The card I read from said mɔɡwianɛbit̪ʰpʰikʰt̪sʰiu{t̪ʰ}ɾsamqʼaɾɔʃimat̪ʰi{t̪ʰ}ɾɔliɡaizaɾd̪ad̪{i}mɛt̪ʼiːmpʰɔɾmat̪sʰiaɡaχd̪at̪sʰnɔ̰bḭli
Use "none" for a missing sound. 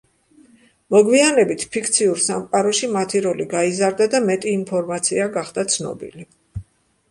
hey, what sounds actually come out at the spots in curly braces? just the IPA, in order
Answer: none, none, a

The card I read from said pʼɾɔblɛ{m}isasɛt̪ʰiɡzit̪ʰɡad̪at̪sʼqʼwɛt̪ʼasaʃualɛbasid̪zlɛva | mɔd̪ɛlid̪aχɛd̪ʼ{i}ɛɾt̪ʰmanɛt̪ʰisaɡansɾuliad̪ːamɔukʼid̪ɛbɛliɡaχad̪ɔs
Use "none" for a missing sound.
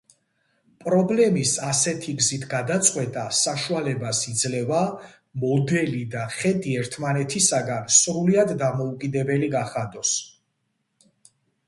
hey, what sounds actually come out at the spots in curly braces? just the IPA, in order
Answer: m, i

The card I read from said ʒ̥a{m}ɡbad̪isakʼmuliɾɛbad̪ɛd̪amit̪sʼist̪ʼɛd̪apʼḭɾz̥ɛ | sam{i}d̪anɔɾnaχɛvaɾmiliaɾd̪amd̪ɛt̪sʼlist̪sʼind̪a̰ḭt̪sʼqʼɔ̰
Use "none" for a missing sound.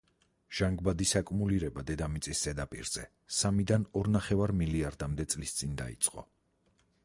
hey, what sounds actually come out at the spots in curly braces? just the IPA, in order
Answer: ŋ, i

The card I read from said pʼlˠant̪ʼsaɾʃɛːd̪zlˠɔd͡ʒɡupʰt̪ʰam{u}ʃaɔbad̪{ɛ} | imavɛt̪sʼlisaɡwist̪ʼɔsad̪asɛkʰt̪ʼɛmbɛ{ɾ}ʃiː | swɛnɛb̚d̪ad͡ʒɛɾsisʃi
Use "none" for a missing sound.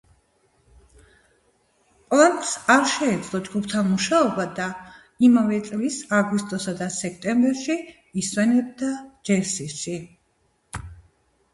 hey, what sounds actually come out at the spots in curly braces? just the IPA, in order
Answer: u, a, ɾ

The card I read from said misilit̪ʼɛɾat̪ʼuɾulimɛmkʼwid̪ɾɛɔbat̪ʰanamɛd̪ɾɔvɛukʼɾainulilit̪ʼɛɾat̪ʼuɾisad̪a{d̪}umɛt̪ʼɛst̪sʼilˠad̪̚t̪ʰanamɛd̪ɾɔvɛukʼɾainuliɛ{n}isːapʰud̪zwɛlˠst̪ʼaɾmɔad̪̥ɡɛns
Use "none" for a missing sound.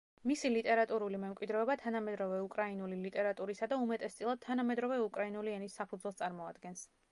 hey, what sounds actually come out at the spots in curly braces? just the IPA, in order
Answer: none, n

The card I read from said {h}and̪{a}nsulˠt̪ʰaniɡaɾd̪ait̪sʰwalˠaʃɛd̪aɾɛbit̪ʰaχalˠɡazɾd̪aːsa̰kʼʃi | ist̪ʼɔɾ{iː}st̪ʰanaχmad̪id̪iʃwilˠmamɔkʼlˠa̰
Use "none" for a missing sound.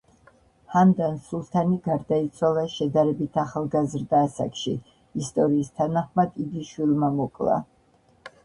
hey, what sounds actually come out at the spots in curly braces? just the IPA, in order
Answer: h, a, iː

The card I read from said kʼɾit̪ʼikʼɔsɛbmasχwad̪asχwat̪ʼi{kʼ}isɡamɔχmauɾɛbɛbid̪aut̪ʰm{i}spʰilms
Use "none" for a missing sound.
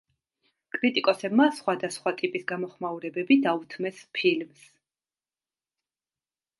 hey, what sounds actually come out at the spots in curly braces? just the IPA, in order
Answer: pʼ, ɛ

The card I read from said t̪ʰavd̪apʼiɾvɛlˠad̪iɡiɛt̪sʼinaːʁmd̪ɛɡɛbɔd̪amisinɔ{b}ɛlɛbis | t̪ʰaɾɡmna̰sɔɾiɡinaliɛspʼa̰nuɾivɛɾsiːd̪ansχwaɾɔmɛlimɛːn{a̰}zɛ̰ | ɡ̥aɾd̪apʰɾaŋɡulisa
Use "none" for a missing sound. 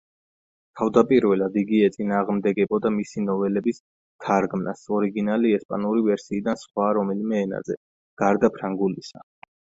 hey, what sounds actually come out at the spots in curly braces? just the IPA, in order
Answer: v, a̰

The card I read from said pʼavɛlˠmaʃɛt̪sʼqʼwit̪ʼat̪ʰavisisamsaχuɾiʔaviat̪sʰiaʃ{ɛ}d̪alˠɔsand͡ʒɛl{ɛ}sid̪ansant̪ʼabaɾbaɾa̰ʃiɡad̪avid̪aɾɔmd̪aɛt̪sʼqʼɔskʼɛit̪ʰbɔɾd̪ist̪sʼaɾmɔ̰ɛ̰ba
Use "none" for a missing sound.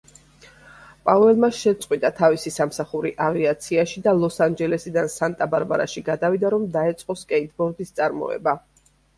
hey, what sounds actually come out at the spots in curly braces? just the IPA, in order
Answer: i, ɛ

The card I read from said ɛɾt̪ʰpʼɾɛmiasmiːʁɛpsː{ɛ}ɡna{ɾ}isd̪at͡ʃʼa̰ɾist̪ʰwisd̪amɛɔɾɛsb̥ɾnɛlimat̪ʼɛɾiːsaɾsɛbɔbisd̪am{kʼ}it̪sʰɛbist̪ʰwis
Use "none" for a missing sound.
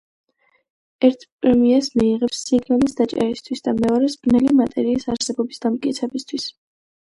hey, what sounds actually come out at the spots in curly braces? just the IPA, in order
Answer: i, l, kʼ

